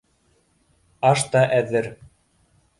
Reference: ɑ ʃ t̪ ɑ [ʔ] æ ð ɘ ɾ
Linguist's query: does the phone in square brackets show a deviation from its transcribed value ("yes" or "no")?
no